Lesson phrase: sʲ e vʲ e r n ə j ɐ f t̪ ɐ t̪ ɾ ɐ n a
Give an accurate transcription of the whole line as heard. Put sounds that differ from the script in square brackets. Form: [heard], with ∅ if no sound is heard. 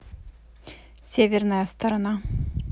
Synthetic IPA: sʲ e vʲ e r n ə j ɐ [s] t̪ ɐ [∅] ɾ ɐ n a